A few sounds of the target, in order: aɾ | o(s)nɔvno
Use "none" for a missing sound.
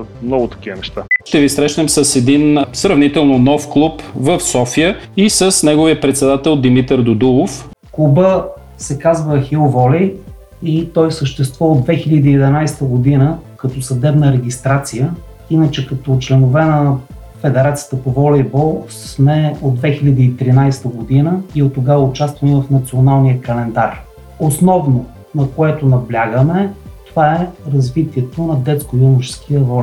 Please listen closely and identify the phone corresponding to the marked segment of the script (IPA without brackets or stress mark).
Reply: s